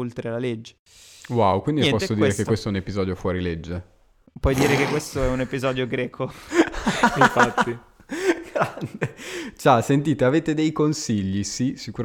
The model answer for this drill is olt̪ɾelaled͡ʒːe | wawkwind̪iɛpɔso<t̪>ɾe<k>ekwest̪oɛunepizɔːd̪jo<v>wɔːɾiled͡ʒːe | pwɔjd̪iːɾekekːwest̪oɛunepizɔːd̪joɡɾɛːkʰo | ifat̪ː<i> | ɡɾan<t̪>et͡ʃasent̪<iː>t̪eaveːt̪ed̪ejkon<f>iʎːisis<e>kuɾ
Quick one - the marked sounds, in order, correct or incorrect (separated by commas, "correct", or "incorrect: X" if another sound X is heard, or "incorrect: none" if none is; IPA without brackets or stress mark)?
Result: incorrect: d̪, correct, incorrect: f, correct, incorrect: d̪, correct, incorrect: s, incorrect: i